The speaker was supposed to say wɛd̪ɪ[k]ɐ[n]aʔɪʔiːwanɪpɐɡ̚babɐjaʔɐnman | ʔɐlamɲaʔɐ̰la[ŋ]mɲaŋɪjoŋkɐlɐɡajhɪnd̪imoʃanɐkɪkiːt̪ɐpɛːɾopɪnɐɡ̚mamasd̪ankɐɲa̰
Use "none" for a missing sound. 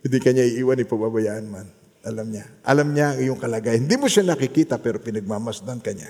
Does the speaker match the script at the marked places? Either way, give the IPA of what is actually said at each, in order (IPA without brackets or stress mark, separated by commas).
k, ɲ, none